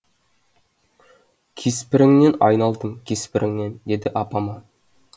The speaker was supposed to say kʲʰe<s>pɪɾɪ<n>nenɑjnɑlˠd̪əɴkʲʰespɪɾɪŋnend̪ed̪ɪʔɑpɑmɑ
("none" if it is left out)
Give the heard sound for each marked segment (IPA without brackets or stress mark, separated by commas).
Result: s, ŋ